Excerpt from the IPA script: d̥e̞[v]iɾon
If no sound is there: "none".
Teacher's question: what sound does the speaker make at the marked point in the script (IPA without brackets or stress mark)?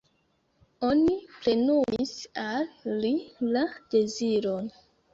z